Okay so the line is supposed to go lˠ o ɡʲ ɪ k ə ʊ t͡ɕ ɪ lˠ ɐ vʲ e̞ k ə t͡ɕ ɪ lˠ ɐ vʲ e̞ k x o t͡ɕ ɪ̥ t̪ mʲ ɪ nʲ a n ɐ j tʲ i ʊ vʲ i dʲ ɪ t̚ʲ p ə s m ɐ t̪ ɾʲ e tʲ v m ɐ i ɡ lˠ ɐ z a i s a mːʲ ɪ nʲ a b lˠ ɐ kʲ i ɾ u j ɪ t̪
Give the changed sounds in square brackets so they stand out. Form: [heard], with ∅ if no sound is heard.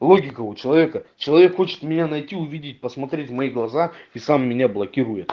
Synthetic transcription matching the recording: lˠ o ɡʲ ɪ k ə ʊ t͡ɕ ɪ lˠ ɐ vʲ e̞ k ə t͡ɕ ɪ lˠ ɐ vʲ e̞ k x o t͡ɕ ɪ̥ t̪ mʲ ɪ nʲ a n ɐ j tʲ i ʊ vʲ i dʲ ɪ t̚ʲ p ə s m ɐ t̪ ɾʲ e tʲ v m ɐ i ɡ lˠ ɐ z a i s a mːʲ ɪ nʲ a b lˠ ɐ kʲ i ɾ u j ɪ t̪